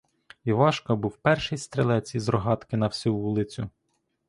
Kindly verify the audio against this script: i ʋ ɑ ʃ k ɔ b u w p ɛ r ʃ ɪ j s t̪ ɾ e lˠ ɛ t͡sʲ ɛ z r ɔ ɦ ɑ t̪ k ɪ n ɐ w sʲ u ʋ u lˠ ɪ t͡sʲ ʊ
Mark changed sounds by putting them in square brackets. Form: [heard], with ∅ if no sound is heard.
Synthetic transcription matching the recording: i ʋ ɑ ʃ k ɔ b u w p ɛ r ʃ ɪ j s t̪ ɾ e lˠ ɛ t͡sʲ [i] z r ɔ ɦ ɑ t̪ k ɪ n ɐ w sʲ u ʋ u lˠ ɪ t͡sʲ ʊ